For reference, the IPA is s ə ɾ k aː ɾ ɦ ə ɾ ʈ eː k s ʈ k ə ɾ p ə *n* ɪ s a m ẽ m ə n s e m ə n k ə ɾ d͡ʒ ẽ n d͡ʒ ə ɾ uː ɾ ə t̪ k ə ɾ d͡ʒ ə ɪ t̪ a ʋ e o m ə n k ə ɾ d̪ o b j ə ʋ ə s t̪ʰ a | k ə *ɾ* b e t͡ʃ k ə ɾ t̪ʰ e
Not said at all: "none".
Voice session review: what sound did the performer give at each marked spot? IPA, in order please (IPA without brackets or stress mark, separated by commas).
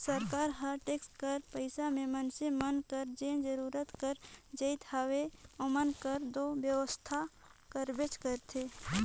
none, ɾ